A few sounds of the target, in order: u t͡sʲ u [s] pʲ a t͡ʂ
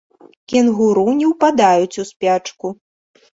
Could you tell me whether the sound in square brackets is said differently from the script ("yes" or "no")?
no